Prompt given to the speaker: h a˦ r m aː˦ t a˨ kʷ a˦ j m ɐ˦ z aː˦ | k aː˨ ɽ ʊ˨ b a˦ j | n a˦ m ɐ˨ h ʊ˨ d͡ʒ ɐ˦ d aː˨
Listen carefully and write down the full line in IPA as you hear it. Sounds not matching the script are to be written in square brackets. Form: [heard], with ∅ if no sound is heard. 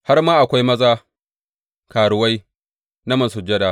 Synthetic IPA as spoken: h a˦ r m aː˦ [ʔ] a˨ kʷ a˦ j m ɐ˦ z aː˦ | k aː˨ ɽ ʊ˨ [w] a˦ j | n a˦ m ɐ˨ [s] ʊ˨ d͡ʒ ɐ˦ d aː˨